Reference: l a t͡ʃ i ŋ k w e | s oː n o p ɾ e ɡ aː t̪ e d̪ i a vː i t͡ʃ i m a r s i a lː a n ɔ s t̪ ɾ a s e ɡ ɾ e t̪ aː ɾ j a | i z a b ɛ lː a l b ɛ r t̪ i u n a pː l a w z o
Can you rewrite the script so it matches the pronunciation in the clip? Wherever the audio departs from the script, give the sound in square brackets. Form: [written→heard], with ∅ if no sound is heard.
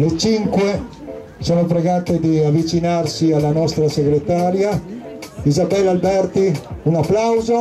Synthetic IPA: l [a→e] t͡ʃ i ŋ k w e | s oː n o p ɾ e ɡ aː t̪ e d̪ i a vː i t͡ʃ i [m→n] a r s i a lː a n ɔ s t̪ ɾ a s e ɡ ɾ e t̪ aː ɾ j a | i z a b ɛ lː a l b ɛ r t̪ i u n a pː l a w z o